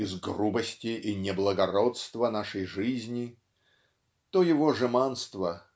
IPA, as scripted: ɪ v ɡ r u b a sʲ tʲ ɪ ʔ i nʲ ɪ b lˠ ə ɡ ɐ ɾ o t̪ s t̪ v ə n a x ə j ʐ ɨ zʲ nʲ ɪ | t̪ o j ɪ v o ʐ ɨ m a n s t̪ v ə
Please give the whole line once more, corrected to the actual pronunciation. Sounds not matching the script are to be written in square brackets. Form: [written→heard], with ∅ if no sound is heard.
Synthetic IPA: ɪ [v→z] ɡ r u b [a→ə] sʲ tʲ ɪ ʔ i nʲ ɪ b lˠ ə ɡ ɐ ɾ o t̪ s t̪ v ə n a [x→ʂ] ə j ʐ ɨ zʲ nʲ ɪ | t̪ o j ɪ v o ʐ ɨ m a n s t̪ v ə